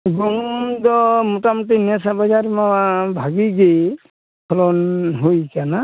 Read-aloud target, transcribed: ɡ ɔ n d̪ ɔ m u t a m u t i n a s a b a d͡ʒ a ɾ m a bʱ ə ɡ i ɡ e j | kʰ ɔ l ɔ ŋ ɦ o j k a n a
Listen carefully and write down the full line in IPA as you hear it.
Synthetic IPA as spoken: ɡ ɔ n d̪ ɔ m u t a m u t i n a s a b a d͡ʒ a ɾ m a bʱ a ɡ i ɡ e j | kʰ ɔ l ɔ n ɦ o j k a n a